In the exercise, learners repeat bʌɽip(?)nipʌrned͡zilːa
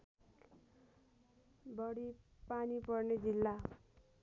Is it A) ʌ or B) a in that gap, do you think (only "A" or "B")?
B